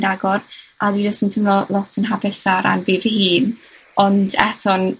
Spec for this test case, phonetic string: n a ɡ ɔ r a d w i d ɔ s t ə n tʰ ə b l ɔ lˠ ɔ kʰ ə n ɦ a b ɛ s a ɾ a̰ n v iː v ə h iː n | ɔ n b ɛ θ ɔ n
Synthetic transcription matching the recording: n a ɡ ɔ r a d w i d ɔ s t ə n tʰ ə m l ɔ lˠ ɔ tʰ ə n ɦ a b ɛ s a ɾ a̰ n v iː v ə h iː n | ɔ n d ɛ θ ɔ n